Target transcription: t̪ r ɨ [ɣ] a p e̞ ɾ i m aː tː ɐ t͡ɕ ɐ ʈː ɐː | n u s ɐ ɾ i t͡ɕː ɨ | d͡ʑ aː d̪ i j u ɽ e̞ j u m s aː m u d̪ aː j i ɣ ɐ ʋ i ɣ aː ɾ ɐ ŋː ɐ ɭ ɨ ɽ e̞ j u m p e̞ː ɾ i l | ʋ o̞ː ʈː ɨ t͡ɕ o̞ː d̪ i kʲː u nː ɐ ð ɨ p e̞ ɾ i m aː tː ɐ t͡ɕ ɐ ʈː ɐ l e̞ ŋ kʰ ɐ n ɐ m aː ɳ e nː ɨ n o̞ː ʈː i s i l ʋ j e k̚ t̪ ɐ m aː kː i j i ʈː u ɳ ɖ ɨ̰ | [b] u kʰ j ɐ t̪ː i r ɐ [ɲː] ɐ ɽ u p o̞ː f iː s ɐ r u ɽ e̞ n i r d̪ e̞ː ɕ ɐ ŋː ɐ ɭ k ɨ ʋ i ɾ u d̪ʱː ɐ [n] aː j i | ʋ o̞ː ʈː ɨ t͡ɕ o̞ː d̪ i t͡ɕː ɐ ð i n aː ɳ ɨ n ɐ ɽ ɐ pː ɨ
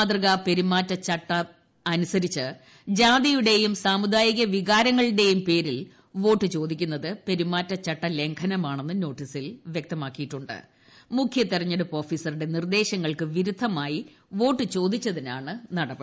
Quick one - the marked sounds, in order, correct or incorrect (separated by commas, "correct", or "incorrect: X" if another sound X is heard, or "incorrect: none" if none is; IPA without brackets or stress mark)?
correct, incorrect: m, correct, incorrect: m